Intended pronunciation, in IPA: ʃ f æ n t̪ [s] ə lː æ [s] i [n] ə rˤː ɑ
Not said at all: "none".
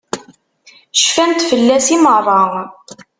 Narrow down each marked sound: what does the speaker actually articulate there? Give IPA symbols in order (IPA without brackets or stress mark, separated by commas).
f, s, m